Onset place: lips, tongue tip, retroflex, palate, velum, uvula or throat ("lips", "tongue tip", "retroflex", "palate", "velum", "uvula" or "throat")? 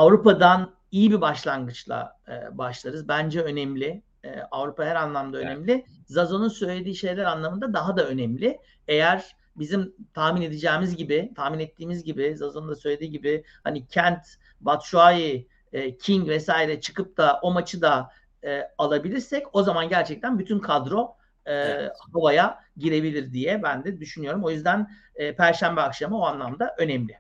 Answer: lips